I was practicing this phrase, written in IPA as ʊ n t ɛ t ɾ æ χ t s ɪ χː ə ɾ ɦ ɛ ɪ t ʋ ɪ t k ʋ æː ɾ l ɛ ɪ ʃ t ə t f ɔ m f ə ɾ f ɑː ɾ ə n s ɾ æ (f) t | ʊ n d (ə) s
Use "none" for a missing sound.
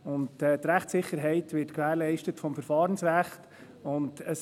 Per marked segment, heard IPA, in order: χ, ə

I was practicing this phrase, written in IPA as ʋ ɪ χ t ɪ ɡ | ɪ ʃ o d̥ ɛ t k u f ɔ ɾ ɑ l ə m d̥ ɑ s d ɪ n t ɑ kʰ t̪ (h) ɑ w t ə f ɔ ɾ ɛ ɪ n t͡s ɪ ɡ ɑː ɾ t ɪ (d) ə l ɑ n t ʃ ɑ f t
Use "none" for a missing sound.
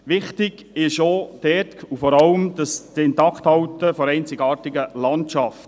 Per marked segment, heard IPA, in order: h, ɡ

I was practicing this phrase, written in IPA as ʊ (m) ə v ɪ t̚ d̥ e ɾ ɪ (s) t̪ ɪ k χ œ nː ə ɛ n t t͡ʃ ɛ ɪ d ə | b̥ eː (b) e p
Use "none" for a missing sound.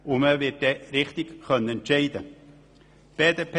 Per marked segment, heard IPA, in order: m, χ, d

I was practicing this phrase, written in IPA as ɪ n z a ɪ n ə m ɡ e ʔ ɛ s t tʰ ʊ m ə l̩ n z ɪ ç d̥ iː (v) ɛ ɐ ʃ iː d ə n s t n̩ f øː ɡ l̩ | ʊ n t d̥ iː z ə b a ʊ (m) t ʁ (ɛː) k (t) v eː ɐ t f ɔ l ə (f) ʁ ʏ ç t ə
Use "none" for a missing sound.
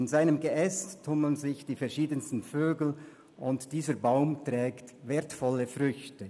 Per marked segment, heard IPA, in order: f, m, ɛː, t, f

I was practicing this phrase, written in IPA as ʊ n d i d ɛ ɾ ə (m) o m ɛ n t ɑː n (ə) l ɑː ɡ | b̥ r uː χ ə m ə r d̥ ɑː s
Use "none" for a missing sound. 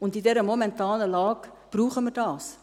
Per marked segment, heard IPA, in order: m, ə

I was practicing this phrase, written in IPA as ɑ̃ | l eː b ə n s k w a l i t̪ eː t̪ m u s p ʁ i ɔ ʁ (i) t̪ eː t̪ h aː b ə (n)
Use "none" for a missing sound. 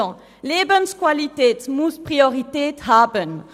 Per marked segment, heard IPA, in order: i, n

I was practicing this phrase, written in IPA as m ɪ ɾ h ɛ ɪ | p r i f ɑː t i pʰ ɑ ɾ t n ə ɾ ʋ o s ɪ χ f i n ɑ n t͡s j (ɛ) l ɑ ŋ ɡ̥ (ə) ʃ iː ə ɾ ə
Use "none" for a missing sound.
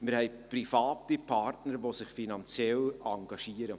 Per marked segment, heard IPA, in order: ɛ, ɑ

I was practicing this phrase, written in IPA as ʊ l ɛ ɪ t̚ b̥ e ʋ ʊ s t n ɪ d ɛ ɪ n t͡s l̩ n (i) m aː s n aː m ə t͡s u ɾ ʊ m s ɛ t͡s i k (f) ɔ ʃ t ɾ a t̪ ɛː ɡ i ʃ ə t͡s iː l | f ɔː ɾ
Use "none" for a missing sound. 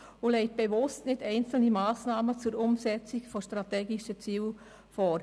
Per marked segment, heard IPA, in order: i, f

